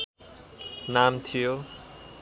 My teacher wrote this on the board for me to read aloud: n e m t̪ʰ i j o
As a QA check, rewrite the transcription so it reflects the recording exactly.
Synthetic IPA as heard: n a m t̪ʰ i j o